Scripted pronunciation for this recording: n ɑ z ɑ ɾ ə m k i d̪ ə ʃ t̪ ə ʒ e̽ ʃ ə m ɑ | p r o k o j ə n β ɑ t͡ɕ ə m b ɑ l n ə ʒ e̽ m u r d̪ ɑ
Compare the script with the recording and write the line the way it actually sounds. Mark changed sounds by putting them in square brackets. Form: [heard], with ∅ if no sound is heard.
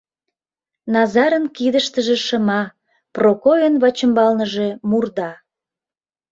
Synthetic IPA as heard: n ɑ z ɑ ɾ ə [n] k i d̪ ə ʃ t̪ ə ʒ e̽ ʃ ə m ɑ | p r o k o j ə n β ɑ t͡ɕ ə m b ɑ l n ə ʒ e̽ m u r d̪ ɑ